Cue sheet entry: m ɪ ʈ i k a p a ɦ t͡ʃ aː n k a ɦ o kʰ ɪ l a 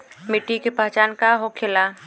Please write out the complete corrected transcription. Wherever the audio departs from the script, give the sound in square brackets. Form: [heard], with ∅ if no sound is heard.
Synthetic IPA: m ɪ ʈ i k [e] p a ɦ t͡ʃ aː n k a ɦ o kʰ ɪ l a